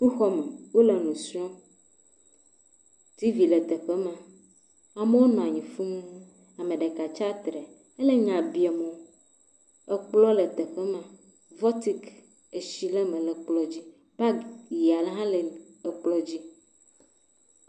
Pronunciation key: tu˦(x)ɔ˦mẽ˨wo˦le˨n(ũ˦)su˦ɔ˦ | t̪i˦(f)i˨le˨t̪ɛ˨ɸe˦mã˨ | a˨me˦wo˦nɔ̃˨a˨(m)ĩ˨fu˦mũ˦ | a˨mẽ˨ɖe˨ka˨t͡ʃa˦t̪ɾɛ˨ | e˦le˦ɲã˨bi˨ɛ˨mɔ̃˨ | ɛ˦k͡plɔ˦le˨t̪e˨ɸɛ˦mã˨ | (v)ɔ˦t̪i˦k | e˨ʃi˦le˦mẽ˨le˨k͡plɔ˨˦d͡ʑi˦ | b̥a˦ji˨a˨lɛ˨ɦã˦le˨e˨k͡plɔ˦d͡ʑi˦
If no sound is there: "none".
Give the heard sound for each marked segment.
x, ũ˨, v, ɲ, v

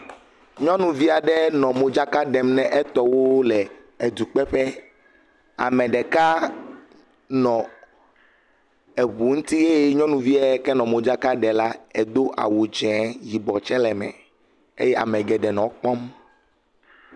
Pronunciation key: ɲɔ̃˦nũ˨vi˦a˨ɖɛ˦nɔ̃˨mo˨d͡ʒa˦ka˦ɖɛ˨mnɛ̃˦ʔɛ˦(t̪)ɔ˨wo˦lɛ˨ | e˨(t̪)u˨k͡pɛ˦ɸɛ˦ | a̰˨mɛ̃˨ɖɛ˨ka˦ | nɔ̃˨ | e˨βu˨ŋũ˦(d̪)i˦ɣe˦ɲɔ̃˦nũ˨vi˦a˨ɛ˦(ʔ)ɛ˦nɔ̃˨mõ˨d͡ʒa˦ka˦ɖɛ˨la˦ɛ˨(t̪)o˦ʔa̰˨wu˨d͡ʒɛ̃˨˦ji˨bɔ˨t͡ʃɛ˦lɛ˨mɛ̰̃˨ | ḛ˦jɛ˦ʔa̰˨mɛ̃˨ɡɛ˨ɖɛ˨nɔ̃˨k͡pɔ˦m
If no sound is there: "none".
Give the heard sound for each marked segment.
t̪, d̪, t̪, k, d̪

